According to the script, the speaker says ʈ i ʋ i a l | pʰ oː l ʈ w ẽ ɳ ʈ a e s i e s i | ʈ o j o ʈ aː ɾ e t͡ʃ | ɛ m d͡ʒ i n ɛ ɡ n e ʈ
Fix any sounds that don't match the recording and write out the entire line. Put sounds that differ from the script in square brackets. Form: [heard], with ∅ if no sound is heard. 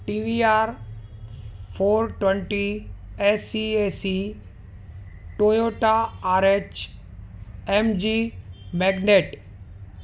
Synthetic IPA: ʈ i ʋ i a [ɾ] | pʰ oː [ɾ] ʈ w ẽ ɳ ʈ [i] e s i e s i | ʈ o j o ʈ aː ɾ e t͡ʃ | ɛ m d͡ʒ i [m] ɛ ɡ n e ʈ

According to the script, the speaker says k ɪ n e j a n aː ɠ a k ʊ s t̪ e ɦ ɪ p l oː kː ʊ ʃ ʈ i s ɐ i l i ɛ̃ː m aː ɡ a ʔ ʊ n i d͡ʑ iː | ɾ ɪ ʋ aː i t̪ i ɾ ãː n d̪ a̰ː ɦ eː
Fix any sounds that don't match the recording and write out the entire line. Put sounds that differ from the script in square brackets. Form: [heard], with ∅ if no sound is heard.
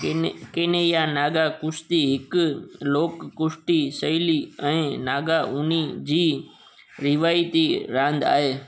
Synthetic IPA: k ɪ n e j a n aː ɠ a k ʊ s t̪ [i] ɦ ɪ [k] l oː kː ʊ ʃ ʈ i s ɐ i l i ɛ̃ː [n] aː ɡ a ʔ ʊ n i d͡ʑ iː | ɾ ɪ ʋ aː i t̪ i ɾ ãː n d̪ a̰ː ɦ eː

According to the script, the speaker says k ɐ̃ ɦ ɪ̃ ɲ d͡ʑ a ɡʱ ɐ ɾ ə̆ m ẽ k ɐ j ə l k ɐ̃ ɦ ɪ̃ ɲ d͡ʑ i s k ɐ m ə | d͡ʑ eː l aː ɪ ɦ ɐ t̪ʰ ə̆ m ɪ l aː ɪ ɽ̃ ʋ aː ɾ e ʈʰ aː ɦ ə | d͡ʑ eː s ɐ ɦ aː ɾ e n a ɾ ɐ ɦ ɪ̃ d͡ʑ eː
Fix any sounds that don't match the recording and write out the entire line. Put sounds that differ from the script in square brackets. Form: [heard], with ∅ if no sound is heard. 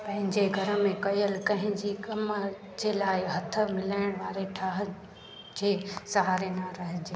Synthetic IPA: [p] ɐ̃ ɦ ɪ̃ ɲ d͡ʑ [e] ɡʱ ɐ ɾ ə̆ m ẽ k ɐ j ə l k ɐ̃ ɦ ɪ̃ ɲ d͡ʑ i [∅] k ɐ m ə | d͡ʑ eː l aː ɪ ɦ ɐ t̪ʰ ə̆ m ɪ l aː ɪ ɽ̃ ʋ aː ɾ e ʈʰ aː ɦ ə | d͡ʑ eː s ɐ ɦ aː ɾ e n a ɾ ɐ ɦ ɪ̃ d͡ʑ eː

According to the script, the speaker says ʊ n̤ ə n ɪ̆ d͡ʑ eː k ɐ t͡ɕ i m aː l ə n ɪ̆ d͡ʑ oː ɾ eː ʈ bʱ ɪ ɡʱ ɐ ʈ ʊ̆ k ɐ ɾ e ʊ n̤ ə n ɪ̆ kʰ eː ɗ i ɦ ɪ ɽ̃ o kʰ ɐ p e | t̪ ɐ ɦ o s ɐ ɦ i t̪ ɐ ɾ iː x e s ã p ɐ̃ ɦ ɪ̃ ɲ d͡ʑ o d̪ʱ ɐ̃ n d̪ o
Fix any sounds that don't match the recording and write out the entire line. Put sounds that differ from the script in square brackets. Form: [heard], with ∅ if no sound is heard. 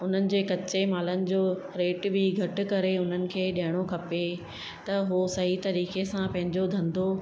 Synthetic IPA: ʊ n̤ ə n ɪ̆ d͡ʑ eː k ɐ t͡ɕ [e] m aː l ə n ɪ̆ d͡ʑ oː ɾ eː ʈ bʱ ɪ ɡʱ ɐ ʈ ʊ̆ k ɐ ɾ e ʊ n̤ ə n ɪ̆ kʰ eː ɗ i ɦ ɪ ɽ̃ o kʰ ɐ p e | t̪ ɐ ɦ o s ɐ ɦ i t̪ ɐ ɾ iː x e s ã p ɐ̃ ɦ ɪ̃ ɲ d͡ʑ o d̪ʱ ɐ̃ n d̪ o

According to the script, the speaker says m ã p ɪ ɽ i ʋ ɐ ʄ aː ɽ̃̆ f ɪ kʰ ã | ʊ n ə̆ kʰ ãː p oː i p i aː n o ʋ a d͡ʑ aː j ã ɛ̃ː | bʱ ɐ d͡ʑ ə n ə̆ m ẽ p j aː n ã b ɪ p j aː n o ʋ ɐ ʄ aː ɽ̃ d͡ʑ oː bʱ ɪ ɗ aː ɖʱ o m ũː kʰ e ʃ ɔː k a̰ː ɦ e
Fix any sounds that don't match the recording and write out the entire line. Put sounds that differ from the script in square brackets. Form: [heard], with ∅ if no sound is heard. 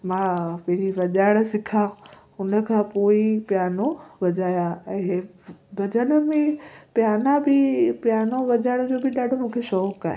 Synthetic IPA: m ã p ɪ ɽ i ʋ ɐ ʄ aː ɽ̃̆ [s] ɪ kʰ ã | ʊ n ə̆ kʰ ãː p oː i p [j] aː n o ʋ [ɐ] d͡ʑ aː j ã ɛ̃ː | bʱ ɐ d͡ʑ ə n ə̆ m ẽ p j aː n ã b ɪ p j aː n o ʋ ɐ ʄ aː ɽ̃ d͡ʑ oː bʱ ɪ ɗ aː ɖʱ o m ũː kʰ e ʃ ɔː k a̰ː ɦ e

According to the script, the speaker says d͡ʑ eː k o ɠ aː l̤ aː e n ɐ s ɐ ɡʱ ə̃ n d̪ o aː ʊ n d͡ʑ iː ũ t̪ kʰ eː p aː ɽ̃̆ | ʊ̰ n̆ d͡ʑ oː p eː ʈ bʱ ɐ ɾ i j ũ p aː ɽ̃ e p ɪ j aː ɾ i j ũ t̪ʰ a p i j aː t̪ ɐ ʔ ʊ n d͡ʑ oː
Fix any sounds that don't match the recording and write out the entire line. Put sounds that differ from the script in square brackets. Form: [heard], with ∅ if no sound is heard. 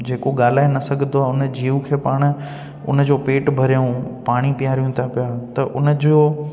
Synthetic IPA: d͡ʑ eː k o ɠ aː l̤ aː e n ɐ s ɐ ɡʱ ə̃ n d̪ o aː ʊ n d͡ʑ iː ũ [∅] kʰ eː p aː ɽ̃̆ | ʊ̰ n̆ d͡ʑ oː p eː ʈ bʱ ɐ ɾ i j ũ p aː ɽ̃ [i] p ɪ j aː ɾ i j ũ t̪ʰ a p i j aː t̪ ɐ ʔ ʊ n d͡ʑ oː

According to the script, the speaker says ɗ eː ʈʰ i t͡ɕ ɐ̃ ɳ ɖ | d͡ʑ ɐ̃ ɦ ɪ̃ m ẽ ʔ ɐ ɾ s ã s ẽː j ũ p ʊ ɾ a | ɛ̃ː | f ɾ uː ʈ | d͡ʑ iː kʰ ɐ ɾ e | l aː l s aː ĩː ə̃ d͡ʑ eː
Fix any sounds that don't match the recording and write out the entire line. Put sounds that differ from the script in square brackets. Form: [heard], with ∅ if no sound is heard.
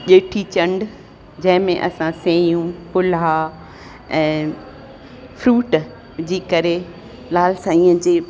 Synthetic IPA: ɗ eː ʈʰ i t͡ɕ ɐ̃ ɳ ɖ | d͡ʑ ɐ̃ ɦ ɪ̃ m ẽ ʔ ɐ [∅] s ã s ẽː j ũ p ʊ [l] a | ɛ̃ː | f ɾ uː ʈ | d͡ʑ iː [k] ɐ ɾ e | l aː l s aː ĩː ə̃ d͡ʑ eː

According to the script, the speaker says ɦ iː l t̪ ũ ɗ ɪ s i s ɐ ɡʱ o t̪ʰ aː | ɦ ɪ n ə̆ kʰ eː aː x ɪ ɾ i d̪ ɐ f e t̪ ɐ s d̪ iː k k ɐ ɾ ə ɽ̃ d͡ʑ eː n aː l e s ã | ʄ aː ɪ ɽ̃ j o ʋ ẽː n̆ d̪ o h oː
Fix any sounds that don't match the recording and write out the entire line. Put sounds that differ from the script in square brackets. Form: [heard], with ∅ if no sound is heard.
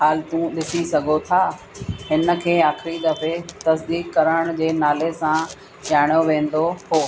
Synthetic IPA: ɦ [aː] l t̪ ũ ɗ ɪ s i s ɐ ɡʱ o t̪ʰ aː | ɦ ɪ n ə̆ kʰ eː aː x ɪ ɾ i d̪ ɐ f e t̪ ɐ s d̪ iː k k ɐ ɾ ə ɽ̃ d͡ʑ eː n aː l e s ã | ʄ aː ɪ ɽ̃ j o ʋ ẽː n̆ d̪ o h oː

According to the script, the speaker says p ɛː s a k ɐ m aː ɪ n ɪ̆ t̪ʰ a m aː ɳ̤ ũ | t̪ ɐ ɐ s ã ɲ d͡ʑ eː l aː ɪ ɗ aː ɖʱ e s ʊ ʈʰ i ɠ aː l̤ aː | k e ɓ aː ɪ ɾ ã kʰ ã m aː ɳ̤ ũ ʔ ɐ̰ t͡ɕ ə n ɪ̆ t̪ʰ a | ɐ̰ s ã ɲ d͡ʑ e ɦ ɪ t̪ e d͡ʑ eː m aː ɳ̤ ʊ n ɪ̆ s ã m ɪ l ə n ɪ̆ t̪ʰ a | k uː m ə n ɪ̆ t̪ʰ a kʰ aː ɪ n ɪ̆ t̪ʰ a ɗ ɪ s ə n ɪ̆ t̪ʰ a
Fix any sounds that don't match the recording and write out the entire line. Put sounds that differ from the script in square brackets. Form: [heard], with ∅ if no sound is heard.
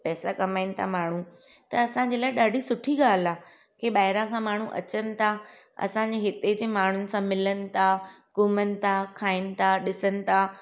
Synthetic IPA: p ɛː s a k ɐ m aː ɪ n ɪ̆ t̪ʰ a m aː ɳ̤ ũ | t̪ ɐ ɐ s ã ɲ d͡ʑ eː l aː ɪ ɗ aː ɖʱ [i] s ʊ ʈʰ i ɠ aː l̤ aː | k e ɓ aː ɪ ɾ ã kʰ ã m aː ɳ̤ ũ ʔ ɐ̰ t͡ɕ ə n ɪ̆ t̪ʰ a | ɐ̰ s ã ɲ d͡ʑ e ɦ ɪ t̪ e d͡ʑ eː m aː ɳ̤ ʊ n ɪ̆ s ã m ɪ l ə n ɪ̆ t̪ʰ a | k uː m ə n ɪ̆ t̪ʰ a kʰ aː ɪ n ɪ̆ t̪ʰ a ɗ ɪ s ə n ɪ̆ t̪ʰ a

